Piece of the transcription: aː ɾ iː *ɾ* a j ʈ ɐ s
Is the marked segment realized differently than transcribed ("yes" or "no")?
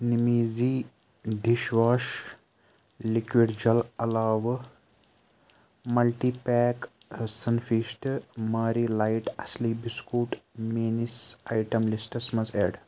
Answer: yes